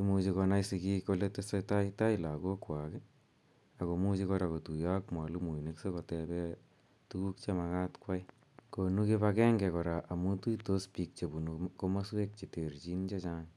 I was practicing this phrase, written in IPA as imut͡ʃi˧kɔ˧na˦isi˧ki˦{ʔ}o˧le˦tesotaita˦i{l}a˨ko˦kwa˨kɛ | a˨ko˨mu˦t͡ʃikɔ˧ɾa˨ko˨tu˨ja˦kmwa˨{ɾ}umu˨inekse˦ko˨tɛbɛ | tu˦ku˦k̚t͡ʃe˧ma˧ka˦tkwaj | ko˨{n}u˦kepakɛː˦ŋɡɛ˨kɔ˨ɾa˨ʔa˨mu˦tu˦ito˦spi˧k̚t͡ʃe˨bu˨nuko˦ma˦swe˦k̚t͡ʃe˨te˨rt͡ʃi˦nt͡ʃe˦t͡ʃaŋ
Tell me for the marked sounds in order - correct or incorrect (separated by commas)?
incorrect, correct, incorrect, correct